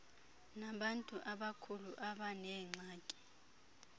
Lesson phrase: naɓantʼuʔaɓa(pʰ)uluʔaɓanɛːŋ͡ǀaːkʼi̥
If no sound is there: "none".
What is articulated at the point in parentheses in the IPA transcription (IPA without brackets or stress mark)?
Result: kʰ